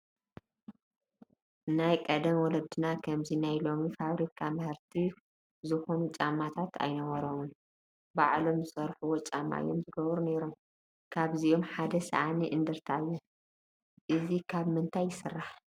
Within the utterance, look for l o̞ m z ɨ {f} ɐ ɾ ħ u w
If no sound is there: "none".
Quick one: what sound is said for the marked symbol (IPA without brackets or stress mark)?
s